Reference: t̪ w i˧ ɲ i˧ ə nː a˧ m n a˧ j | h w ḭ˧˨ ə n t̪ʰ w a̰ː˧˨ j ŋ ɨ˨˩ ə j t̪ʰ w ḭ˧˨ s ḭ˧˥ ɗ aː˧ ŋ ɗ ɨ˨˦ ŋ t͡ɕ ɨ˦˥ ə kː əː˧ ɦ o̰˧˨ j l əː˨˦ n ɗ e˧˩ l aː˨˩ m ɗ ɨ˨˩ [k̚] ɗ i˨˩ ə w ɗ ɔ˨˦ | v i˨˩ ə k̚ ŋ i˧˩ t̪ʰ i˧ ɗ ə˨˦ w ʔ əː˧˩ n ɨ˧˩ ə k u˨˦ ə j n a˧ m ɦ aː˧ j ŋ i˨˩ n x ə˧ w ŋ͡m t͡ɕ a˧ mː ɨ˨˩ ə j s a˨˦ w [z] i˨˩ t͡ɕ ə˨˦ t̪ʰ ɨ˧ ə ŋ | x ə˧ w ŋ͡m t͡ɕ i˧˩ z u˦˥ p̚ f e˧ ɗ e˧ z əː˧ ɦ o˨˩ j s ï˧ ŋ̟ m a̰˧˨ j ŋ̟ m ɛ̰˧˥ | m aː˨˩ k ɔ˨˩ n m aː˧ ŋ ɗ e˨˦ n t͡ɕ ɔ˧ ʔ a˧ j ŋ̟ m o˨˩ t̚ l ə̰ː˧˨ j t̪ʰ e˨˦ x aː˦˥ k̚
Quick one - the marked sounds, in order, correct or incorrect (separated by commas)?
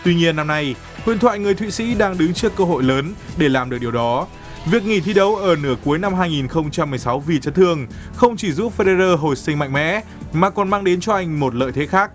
correct, incorrect